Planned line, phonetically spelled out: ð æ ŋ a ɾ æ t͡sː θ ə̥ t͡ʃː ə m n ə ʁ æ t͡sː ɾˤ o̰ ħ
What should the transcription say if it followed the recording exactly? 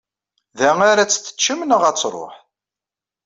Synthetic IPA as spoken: ð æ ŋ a ɾ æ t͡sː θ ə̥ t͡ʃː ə m n ə ʁ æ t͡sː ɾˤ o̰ ħ